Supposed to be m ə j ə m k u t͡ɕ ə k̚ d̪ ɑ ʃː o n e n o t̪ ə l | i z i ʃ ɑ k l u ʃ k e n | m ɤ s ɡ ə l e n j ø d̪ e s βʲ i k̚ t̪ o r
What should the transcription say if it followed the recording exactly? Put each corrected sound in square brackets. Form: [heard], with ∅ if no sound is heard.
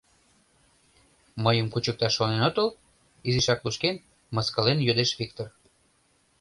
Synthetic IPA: m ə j ə m k u t͡ɕ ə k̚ [t̪] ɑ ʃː o n e n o t̪ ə l | i z i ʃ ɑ k l u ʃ k e n | m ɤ s [k] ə l e n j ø d̪ e [ʃ] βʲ i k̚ t̪ o r